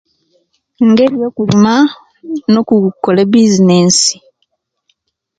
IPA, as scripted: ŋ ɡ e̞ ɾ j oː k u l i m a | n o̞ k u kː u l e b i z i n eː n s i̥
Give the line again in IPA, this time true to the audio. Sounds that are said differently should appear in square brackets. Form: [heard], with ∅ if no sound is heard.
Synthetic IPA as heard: ŋ ɡ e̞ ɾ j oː k u l i m a | n o̞ k u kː [o] l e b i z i n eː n s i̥

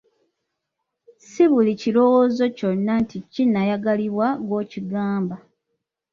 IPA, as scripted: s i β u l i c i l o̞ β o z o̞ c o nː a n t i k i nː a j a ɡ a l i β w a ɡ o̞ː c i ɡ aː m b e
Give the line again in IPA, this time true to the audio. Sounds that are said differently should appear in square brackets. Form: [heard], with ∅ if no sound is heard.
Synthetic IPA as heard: s i β u l i c i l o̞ [w] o z o̞ c o nː a n t i [c] i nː a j a ɡ a l i β w a ɡ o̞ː c i ɡ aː m b [a]

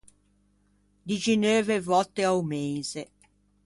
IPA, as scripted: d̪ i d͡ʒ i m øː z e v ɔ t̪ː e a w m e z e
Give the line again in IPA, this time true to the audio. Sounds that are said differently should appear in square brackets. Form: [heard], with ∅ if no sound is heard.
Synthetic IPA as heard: d̪ i d͡ʒ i [n] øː [v] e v ɔ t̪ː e a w m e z e

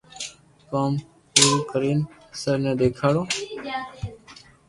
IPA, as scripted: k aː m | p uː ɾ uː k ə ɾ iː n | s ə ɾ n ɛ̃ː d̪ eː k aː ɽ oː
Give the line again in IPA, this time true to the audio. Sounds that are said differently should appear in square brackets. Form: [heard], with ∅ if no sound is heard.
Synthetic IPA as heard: k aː m | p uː ɾ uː k ə ɾ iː n | s ə ɾ n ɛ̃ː d̪ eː [kʰ] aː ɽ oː

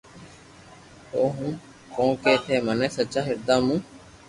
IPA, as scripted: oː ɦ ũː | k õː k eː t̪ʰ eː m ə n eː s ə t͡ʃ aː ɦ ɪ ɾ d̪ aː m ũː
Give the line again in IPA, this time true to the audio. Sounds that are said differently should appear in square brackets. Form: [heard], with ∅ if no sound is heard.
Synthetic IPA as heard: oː ɦ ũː | k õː k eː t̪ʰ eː m ə n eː s ə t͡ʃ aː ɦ ɪ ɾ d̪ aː m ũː

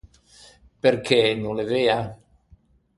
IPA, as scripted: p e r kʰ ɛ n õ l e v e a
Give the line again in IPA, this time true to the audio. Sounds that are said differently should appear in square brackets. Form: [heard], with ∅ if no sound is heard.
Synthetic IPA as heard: p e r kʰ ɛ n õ l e v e a

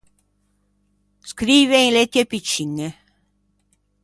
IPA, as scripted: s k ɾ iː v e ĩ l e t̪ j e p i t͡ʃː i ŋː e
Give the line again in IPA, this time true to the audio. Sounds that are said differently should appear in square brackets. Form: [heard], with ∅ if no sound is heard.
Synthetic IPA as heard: s k ɾ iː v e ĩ l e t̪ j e p i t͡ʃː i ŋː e

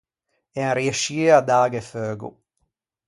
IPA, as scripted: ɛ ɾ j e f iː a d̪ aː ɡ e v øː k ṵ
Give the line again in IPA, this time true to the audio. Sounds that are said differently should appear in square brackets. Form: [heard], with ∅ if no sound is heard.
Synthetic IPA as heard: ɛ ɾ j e [ʃ] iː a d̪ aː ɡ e [f] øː [ɡ] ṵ

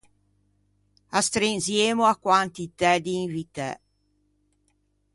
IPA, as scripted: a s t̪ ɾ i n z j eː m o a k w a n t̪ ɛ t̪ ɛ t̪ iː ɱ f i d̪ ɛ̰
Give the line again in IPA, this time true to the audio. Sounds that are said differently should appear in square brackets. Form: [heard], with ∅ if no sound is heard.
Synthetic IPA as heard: a s t̪ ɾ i n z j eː m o a k w a n t̪ [i] t̪ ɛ [d̪] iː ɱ [v] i [t̪] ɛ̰

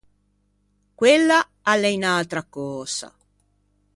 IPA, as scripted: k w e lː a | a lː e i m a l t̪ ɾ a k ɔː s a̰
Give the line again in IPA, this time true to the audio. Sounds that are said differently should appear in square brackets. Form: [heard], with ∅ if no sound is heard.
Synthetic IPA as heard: k w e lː a | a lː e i [n] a l t̪ ɾ a k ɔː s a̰

